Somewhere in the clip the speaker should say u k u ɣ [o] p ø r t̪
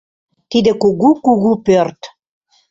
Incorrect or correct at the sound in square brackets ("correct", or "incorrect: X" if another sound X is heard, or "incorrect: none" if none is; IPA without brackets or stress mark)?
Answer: incorrect: u